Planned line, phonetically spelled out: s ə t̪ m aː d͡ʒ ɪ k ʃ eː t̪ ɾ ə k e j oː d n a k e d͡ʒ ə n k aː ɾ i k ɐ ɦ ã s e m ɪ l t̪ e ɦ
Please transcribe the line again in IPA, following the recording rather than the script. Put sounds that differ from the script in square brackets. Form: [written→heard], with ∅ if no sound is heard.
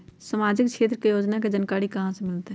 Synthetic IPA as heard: s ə [t̪→∅] m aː d͡ʒ ɪ k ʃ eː t̪ ɾ ə k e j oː [d→d͡ʒ] n a k e d͡ʒ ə n k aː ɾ i k ɐ ɦ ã s e m ɪ l t̪ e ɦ